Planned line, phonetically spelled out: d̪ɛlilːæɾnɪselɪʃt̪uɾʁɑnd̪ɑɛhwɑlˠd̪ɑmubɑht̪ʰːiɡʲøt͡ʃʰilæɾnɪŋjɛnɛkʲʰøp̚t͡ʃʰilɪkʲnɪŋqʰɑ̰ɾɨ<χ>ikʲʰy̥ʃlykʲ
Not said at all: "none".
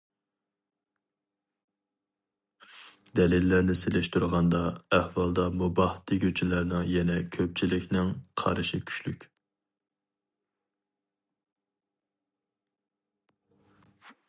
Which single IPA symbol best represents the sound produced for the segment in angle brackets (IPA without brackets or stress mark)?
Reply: ʃ